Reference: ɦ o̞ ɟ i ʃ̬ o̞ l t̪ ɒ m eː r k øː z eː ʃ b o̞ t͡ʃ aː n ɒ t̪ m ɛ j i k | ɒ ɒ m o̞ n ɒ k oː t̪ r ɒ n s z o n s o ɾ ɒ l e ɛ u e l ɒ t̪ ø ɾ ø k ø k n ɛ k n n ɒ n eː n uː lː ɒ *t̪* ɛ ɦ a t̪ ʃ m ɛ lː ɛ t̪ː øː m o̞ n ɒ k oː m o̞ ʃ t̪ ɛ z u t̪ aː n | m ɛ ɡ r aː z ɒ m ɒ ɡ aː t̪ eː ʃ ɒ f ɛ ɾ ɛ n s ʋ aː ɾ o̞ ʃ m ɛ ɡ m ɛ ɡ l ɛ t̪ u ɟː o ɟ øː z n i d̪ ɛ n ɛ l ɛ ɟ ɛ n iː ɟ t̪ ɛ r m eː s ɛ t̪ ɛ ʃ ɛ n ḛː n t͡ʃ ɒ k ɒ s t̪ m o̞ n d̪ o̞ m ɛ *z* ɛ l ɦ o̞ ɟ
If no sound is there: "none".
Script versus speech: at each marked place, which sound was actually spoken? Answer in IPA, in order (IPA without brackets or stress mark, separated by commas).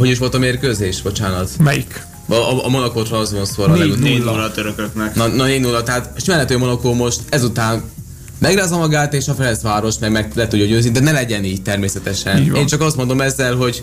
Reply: t̪, zː